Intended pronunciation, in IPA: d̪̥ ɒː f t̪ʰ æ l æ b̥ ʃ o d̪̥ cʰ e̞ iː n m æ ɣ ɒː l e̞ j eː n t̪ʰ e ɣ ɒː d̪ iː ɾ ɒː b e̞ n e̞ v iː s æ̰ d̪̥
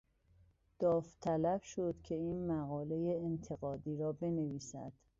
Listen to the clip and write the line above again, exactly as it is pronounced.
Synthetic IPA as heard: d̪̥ ɒː f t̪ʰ æ l æ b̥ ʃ o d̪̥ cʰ e̞ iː n m æ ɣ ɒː l e̞ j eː n t̪ʰ e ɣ ɒː d̪ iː ɾ ɒː b e̞ n e̞ v iː s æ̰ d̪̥